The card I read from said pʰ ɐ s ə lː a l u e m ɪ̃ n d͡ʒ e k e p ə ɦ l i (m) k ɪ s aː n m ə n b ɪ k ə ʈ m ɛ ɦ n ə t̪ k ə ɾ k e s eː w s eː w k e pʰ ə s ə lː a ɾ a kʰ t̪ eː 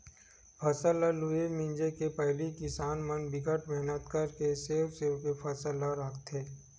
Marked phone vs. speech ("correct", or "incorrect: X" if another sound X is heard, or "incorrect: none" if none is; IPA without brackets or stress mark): incorrect: none